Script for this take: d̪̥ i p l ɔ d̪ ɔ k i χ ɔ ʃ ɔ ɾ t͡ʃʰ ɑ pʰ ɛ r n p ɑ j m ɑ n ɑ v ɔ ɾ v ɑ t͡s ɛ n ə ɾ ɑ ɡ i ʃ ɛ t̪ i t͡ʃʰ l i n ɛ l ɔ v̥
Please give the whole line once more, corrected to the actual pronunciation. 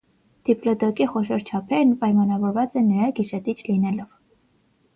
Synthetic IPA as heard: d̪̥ i p l ɔ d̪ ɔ k i χ ɔ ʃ ɔ ɾ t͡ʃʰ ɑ pʰ ɛ ɾ n p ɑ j m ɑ n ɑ v ɔ ɾ v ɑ t͡s ɛ n ə ɾ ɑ ɡ i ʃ ɛ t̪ i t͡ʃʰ l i n ɛ l ɔ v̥